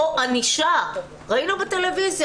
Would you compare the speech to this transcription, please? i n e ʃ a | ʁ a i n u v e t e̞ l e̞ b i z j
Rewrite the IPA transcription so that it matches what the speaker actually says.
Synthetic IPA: a n i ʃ a | ʁ a i n u b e t e̞ l e̞ v i z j